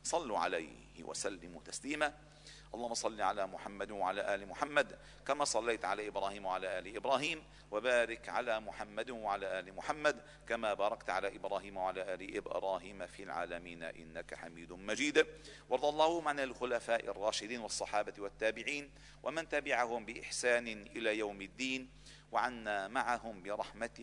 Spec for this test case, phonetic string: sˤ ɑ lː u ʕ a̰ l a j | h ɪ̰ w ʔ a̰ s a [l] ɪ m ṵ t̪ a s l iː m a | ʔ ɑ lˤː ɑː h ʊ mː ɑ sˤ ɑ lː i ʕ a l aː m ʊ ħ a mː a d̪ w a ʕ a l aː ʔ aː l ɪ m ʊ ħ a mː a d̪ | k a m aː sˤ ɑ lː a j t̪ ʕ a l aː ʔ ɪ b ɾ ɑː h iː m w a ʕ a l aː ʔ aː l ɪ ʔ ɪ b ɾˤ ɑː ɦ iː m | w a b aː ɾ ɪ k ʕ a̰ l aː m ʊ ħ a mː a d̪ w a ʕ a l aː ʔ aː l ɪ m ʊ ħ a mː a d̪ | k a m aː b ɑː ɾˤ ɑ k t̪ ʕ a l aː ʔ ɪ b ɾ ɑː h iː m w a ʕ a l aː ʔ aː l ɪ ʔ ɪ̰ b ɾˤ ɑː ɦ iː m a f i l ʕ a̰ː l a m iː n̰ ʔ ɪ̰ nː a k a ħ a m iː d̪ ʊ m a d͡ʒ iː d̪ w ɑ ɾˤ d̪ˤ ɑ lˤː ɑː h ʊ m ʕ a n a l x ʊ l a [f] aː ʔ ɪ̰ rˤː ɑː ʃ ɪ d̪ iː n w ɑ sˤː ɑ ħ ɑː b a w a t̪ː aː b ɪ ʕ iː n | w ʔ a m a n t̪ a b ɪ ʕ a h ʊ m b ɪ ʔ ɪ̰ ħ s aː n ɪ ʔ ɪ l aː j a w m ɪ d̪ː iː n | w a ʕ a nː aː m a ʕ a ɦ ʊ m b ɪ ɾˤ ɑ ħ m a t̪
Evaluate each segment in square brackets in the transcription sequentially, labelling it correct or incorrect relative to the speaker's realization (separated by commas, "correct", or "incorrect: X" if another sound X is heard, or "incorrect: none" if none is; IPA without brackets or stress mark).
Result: incorrect: lː, correct